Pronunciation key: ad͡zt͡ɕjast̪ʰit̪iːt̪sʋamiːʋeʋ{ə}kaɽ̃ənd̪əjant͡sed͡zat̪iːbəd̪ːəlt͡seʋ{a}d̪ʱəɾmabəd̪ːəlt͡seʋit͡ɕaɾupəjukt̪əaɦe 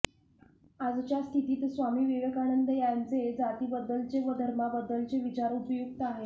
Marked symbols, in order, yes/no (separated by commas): yes, no